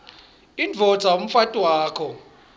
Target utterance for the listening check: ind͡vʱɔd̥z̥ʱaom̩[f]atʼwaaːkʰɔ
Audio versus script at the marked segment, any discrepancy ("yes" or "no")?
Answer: no